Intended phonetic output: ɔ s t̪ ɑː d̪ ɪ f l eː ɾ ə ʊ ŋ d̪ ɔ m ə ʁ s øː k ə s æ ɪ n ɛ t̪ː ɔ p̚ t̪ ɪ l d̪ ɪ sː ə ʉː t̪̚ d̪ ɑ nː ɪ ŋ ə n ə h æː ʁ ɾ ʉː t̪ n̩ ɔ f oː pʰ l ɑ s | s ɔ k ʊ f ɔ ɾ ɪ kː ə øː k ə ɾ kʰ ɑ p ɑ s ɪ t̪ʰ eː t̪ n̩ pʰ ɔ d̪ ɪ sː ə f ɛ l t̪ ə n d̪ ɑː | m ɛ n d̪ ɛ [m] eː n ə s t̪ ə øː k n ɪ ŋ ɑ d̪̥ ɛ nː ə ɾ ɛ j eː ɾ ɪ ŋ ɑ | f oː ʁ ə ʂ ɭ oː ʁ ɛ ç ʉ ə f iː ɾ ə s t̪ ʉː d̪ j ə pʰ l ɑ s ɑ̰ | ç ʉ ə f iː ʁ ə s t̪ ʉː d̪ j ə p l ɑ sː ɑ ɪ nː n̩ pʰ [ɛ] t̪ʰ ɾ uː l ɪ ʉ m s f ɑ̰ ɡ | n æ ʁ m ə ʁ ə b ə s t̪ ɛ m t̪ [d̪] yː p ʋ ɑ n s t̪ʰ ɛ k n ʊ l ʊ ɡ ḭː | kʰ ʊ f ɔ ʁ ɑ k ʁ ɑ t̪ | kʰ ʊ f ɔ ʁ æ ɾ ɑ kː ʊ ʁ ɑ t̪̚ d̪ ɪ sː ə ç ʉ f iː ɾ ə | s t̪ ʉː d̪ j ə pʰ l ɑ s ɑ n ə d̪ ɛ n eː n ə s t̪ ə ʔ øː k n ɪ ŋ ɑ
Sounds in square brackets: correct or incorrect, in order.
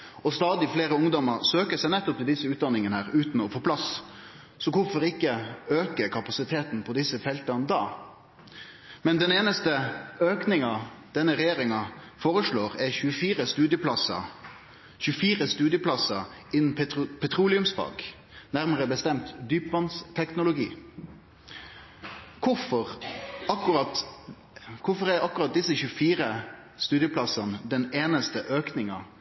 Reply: incorrect: n, correct, correct

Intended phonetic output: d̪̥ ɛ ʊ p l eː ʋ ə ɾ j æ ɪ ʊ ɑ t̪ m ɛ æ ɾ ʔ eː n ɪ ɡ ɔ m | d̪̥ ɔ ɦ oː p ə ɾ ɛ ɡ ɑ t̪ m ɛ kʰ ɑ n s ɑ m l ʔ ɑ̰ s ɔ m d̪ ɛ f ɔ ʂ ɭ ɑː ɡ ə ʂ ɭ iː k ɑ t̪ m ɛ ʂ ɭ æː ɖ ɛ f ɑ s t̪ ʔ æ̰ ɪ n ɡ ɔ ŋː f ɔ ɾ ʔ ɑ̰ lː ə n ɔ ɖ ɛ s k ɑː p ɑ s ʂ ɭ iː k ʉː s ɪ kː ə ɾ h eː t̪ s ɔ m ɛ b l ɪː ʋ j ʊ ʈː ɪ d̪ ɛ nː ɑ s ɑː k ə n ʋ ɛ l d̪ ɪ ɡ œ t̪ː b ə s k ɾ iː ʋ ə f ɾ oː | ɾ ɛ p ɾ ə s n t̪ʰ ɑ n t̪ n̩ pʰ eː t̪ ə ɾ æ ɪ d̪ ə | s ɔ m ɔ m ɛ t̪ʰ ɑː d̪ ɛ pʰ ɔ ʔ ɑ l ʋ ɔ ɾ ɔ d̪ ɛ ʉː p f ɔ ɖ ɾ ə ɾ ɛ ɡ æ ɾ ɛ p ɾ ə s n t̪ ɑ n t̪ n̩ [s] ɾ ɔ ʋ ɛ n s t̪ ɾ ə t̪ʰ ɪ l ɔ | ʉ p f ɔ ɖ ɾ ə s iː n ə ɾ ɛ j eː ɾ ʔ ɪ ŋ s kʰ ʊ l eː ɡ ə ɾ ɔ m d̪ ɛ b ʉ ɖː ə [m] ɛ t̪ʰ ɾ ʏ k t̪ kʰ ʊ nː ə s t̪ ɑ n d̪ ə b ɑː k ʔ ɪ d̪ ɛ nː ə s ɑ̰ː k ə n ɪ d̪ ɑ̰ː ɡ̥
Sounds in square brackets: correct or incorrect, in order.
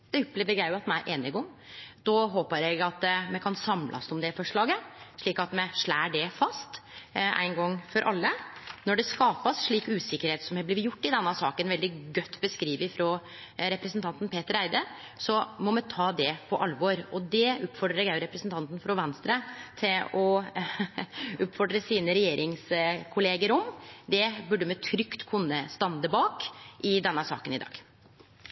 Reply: incorrect: f, correct

